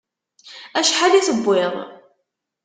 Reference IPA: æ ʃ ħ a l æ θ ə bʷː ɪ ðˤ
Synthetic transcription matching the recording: æ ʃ ħ a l i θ ə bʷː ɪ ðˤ